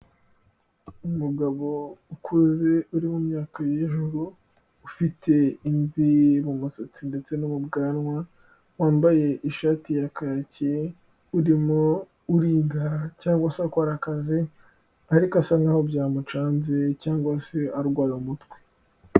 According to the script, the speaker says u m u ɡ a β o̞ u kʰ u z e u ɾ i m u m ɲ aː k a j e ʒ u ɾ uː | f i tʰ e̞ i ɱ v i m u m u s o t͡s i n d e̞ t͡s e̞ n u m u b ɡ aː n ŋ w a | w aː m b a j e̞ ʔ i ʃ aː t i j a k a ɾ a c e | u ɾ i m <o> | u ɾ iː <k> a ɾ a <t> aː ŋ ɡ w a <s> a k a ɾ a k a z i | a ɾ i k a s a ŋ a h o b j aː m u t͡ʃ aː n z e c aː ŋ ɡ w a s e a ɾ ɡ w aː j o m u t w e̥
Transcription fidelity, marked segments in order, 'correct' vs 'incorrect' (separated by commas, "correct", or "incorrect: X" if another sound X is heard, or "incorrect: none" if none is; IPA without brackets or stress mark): correct, incorrect: ɡ, incorrect: c, correct